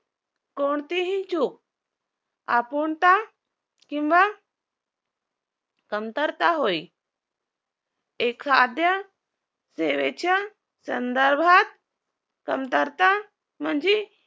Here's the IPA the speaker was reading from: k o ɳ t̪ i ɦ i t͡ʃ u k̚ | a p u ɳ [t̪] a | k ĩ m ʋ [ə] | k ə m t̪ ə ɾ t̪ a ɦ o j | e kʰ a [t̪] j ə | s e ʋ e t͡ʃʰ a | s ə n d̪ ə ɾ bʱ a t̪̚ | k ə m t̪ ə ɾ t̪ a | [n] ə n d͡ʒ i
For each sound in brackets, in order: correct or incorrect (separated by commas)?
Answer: correct, incorrect, incorrect, incorrect